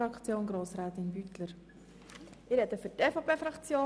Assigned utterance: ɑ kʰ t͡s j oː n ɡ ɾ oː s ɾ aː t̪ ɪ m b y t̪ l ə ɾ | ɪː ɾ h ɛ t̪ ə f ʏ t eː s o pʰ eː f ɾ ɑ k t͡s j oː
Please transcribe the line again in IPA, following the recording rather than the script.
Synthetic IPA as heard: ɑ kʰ t͡s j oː n ɡ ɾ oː s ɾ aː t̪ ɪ n b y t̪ l ə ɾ | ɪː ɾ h ɛ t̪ ə f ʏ t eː f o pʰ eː f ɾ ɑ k t͡s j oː